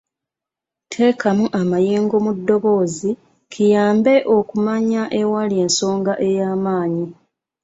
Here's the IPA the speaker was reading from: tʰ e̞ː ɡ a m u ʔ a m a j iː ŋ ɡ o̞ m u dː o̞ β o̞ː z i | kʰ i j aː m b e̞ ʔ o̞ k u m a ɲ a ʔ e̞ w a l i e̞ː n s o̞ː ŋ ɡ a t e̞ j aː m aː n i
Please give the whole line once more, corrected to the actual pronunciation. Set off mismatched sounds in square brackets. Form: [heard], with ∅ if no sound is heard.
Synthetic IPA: tʰ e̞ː [k] a m u ʔ a m a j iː ŋ ɡ o̞ m u dː o̞ β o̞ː z i | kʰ i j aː m b e̞ ʔ o̞ k u m a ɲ a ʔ e̞ w a l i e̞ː n s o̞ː ŋ ɡ a [ʔ] e̞ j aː m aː [ɲ] i